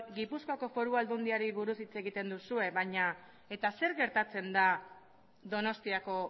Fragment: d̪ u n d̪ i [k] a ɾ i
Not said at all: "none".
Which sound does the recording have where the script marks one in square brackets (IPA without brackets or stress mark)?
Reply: none